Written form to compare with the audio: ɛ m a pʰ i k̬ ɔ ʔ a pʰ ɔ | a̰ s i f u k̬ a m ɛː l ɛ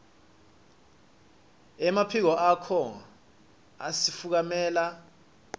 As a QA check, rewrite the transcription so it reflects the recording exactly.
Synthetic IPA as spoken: ɛ m a pʰ i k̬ ɔ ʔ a kʰ ɔ | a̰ s i f u k̬ a m ɛː l a